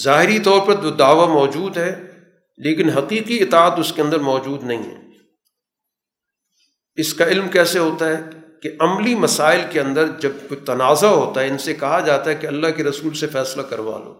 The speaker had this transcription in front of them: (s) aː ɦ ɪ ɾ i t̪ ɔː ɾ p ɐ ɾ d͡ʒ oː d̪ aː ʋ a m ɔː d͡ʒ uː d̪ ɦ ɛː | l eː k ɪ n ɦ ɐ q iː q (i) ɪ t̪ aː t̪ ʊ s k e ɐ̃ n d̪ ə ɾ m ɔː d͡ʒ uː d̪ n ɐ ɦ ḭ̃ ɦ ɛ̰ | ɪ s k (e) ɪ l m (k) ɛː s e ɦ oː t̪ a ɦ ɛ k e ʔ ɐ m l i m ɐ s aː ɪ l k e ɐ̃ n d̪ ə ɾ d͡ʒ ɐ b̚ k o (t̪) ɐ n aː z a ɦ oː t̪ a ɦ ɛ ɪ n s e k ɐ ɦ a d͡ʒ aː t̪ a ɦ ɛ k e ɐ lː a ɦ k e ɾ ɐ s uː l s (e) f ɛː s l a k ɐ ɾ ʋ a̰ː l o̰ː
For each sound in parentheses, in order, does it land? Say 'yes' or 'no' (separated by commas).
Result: no, yes, no, yes, yes, yes